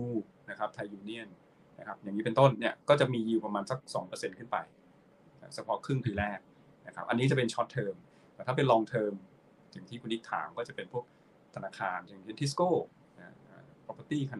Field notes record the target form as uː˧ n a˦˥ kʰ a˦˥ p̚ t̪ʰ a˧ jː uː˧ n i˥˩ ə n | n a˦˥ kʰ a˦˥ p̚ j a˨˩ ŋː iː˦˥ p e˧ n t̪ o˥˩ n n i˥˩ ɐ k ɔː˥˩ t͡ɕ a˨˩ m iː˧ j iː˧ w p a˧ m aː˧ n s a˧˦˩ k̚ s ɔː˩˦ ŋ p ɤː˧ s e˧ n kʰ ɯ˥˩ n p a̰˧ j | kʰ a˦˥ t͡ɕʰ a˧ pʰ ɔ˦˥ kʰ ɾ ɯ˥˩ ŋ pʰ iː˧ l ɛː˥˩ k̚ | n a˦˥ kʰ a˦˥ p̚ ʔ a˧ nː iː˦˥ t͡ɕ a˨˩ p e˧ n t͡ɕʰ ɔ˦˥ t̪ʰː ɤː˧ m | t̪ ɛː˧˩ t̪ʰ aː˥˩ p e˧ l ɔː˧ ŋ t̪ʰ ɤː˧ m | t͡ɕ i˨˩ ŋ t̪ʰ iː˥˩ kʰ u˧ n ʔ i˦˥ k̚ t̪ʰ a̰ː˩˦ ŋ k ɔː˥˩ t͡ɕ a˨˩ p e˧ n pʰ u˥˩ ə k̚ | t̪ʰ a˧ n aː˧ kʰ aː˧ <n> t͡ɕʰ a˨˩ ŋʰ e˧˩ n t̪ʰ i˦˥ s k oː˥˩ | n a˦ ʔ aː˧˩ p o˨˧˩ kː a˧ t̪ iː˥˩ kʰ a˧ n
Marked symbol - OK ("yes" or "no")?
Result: yes